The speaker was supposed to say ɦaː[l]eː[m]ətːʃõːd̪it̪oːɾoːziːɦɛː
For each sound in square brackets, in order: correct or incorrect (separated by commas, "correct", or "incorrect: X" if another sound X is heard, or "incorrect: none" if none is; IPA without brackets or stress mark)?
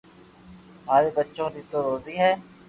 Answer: incorrect: ɾ, incorrect: b